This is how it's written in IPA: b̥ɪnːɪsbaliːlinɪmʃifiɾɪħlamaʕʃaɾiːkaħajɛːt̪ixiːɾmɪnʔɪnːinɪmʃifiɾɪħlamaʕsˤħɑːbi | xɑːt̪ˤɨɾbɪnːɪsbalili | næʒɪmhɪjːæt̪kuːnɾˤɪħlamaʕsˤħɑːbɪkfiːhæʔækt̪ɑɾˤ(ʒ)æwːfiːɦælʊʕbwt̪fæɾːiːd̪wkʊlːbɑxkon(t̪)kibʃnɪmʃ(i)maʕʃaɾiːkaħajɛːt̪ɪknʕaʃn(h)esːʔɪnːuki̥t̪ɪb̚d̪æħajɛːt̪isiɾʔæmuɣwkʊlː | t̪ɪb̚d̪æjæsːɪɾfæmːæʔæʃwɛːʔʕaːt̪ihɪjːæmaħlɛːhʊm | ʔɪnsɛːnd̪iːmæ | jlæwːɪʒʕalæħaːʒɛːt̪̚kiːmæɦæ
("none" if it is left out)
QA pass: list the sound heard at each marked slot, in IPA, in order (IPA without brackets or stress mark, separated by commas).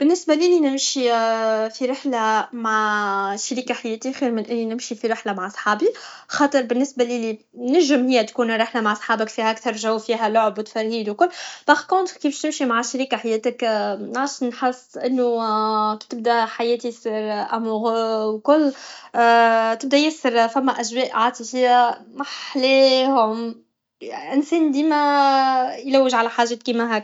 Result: ʒ, t̪, i, ħ